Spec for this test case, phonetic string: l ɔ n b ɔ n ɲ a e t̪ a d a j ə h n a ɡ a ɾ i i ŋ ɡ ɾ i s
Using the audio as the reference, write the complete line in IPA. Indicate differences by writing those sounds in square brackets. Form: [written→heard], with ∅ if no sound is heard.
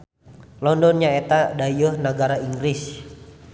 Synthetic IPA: l ɔ n [b→d] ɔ n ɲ a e t̪ a d a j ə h n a ɡ a ɾ [i→a] i ŋ ɡ ɾ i s